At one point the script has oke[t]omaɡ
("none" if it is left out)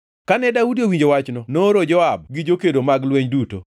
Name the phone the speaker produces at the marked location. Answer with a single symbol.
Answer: d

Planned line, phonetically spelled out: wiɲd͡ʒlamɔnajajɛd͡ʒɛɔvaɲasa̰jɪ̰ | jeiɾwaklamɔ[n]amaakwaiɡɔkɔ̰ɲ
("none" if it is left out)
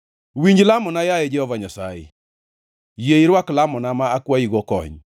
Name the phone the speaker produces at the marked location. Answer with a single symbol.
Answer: n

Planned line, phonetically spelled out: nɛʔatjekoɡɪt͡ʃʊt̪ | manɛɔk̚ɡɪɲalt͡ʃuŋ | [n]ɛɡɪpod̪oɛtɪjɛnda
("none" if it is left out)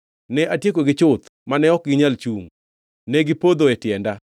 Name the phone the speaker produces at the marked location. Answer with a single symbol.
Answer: n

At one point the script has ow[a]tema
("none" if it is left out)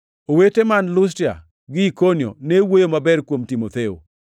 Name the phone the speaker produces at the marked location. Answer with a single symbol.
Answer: e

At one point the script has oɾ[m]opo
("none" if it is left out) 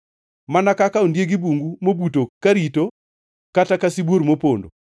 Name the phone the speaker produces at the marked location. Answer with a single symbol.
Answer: m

